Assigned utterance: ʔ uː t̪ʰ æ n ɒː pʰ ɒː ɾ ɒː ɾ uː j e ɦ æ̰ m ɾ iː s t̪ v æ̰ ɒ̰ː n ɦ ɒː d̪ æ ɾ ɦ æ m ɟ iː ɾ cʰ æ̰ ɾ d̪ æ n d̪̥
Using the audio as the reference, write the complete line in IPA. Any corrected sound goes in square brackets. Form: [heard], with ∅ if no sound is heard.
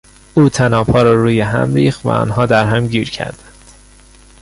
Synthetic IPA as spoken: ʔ uː t̪ʰ æ n ɒː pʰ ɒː ɾ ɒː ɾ uː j e ɦ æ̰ m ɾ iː [x] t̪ v æ̰ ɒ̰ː n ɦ ɒː d̪ æ ɾ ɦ æ m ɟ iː ɾ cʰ æ̰ ɾ d̪ æ n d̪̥